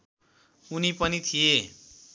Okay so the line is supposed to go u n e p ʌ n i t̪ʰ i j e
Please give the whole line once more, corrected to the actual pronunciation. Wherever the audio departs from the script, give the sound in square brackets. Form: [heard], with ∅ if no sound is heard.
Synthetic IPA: u n [i] p ʌ n i t̪ʰ i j e